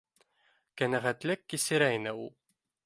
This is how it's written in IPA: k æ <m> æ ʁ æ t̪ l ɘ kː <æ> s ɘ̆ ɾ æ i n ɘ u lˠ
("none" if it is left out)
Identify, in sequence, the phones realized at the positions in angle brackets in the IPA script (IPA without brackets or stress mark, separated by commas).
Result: n, i